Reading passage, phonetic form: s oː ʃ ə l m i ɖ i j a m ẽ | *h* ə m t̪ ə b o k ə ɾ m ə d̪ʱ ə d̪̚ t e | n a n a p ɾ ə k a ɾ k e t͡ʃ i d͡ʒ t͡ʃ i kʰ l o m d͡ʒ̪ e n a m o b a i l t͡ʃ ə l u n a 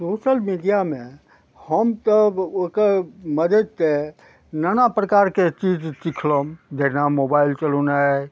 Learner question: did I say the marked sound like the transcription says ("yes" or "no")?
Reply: yes